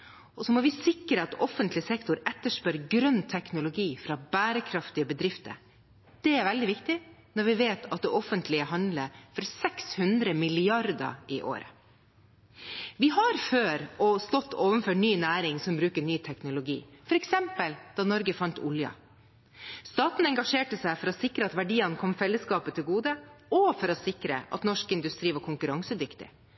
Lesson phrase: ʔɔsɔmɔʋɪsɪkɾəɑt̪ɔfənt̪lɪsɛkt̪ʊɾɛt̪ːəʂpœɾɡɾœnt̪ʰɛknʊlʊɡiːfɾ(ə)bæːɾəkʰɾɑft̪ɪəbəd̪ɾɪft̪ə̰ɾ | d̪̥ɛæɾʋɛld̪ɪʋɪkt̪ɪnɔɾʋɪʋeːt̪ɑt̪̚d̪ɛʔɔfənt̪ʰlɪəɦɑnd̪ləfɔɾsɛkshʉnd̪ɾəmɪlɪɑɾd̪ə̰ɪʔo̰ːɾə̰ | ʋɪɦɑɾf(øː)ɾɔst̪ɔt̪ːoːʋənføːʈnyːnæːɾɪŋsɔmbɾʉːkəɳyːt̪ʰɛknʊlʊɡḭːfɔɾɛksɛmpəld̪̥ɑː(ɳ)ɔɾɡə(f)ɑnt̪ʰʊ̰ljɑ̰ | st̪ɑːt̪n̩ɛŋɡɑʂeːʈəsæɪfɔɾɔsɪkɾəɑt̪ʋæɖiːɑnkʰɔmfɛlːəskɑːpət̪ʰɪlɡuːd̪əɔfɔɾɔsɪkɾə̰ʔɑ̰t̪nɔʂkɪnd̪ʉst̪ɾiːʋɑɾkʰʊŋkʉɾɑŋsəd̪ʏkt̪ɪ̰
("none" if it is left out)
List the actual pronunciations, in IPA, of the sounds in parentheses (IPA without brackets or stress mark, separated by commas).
ɑ, øː, n, f